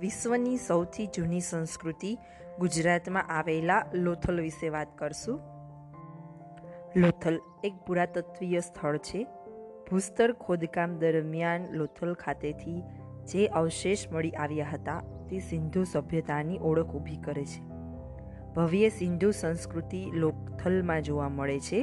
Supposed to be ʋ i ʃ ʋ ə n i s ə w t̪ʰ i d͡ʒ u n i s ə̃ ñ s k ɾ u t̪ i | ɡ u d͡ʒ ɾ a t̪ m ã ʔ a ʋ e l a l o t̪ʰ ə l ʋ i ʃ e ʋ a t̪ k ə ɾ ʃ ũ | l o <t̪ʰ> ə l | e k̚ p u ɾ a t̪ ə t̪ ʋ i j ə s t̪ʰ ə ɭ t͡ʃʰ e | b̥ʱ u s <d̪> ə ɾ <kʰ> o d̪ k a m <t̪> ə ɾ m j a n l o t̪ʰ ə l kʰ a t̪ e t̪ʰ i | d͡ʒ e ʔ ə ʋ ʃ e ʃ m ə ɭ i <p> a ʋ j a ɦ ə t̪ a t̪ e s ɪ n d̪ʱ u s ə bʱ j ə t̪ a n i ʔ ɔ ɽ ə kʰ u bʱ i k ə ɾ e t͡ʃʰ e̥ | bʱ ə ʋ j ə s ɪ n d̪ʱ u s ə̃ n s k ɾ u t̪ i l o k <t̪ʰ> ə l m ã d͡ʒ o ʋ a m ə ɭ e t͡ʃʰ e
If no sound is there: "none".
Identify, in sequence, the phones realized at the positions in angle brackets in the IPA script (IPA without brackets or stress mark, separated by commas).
t̪ʰ, t̪, kʰ, d̪, ʔ, t̪ʰ